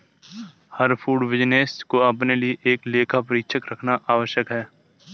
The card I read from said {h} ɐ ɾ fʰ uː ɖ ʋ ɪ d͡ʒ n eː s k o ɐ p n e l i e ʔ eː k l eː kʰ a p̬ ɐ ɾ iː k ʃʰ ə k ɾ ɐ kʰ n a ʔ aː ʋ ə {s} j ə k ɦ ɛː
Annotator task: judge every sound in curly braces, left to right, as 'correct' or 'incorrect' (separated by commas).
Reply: correct, incorrect